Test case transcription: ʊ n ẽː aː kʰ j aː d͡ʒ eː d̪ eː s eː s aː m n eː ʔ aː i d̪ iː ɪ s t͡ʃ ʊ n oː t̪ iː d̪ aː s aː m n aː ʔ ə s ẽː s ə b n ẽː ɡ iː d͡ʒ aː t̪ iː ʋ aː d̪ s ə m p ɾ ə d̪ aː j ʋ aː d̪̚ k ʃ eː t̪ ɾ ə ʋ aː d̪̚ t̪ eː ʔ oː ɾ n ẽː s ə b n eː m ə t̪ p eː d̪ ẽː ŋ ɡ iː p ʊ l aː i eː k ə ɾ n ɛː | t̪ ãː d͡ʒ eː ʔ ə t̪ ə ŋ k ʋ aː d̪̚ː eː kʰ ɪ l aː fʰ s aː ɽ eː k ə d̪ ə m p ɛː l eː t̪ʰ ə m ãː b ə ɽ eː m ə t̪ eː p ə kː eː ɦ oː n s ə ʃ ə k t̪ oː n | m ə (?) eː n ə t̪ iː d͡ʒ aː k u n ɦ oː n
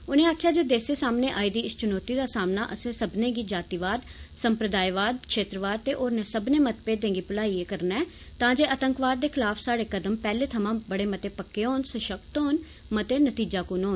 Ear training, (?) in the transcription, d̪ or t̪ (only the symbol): t̪